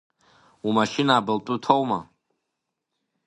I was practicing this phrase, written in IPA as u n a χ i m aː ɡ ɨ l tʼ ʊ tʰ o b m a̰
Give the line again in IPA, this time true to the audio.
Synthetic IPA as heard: u m a ʃ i n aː b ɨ l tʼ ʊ tʰ o w m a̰